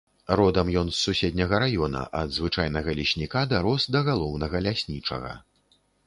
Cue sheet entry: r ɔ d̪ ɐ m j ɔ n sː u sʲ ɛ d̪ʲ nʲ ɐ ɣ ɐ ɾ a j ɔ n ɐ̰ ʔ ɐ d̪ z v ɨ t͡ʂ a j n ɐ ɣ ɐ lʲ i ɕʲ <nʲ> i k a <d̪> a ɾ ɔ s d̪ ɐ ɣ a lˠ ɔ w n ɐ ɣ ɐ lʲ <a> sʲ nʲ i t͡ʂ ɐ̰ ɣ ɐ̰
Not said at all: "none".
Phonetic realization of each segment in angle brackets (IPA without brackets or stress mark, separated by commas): nʲ, d̪, a